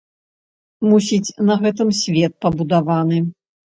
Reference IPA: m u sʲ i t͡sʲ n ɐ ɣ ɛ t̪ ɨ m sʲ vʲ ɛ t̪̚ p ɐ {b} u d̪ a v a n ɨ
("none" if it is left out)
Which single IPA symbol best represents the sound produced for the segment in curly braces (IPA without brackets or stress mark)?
b